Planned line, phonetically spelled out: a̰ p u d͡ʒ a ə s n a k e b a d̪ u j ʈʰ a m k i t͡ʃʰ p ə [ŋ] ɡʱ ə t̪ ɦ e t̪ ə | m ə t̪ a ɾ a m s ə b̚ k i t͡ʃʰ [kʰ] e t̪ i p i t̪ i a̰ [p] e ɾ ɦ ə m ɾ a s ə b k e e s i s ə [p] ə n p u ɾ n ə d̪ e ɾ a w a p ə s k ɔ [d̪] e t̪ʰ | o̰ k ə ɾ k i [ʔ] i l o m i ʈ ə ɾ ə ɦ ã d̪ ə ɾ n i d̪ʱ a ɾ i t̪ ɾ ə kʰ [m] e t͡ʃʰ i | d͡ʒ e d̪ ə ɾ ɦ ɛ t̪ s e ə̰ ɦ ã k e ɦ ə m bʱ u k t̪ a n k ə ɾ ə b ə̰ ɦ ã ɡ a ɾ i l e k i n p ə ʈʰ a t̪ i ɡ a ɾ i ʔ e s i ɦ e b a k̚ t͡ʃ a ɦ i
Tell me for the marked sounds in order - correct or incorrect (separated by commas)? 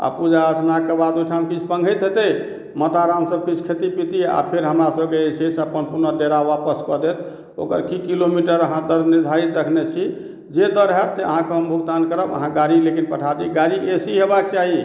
correct, correct, incorrect, correct, correct, incorrect, incorrect